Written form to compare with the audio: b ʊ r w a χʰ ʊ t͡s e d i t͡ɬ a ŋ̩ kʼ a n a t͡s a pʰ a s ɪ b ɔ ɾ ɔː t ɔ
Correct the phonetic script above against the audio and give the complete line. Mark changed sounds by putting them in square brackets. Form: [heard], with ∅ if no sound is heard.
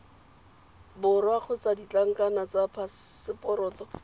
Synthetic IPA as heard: b ʊ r w a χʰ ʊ t͡s [a] d i t͡ɬ a ŋ̩ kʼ a n a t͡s a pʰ a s ɪ [p] ɔ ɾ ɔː t ɔ